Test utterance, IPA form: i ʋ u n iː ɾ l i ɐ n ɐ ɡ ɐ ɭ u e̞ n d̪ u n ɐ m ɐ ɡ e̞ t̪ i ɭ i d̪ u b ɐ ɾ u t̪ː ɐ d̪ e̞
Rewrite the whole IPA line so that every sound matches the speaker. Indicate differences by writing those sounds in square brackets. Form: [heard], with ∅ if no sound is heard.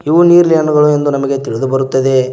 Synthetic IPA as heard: i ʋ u n iː ɾ l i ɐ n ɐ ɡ ɐ ɭ u e̞ n d̪ u n ɐ m ɐ ɡ e̞ t̪ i ɭ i d̪ u b ɐ ɾ u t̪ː ɐ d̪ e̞